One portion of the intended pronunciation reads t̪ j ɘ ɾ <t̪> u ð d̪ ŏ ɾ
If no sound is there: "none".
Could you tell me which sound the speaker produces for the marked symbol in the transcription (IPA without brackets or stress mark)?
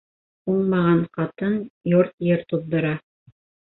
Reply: t̪